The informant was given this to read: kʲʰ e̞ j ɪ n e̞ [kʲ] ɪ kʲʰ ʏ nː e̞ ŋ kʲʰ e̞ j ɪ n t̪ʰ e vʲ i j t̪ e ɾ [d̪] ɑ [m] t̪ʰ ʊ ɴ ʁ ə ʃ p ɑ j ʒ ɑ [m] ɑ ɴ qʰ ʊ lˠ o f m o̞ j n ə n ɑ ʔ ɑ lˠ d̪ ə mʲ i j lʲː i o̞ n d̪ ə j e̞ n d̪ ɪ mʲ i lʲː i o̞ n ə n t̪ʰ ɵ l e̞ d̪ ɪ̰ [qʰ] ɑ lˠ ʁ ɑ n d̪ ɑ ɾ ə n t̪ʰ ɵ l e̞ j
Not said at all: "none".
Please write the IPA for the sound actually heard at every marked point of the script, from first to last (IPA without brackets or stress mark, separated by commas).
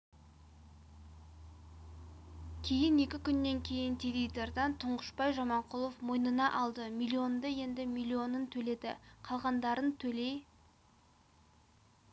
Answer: kʲ, d̪, n, m, qʰ